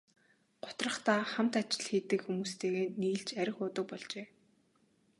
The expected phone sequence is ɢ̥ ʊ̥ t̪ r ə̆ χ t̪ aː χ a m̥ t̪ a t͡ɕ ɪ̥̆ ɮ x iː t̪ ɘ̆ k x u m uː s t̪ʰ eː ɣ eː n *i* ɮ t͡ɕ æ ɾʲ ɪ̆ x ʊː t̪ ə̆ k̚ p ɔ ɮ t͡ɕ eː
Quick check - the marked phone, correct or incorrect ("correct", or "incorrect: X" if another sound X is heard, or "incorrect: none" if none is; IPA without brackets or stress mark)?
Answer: incorrect: iː